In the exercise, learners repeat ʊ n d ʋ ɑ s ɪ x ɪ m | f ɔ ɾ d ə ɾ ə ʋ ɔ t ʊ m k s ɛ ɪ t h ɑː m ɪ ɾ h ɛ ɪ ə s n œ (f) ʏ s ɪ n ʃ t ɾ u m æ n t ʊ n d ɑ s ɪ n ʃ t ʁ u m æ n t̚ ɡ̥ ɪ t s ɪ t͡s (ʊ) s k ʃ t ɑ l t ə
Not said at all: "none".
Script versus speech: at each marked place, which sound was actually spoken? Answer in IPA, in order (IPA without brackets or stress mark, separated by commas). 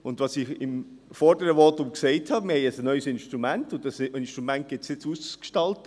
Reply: none, u